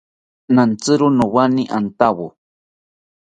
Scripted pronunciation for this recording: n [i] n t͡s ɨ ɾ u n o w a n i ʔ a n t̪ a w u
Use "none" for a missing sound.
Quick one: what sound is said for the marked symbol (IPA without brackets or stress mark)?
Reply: a